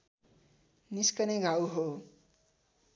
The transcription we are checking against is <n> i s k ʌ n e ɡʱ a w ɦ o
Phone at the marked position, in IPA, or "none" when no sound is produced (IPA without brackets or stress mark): n